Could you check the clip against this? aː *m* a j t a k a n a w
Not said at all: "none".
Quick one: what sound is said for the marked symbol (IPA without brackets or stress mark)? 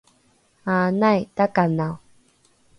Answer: n